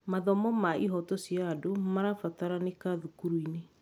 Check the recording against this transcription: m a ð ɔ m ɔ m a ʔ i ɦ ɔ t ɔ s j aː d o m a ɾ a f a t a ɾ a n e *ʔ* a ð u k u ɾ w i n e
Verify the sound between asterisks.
incorrect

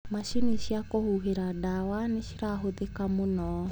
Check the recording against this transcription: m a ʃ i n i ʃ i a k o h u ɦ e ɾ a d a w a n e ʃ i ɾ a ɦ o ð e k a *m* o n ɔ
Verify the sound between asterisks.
correct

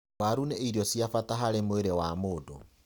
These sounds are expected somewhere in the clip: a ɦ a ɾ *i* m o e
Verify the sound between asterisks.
incorrect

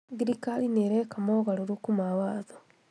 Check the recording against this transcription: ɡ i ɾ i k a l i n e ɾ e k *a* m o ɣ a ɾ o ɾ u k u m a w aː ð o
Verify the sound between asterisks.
correct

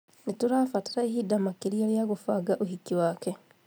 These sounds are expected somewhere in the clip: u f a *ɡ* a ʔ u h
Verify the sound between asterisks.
correct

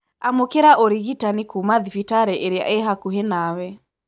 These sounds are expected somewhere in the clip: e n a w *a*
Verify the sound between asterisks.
incorrect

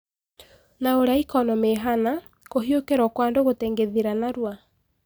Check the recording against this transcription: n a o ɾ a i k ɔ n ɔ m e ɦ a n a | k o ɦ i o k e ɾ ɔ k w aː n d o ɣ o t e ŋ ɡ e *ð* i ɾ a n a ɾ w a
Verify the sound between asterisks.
correct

